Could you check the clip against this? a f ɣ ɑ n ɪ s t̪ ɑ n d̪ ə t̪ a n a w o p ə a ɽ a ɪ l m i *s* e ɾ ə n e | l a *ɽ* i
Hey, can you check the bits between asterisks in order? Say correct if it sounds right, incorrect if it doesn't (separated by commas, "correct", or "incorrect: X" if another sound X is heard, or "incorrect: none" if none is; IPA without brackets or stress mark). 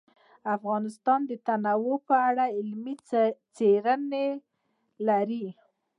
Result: incorrect: t͡s, incorrect: ɾ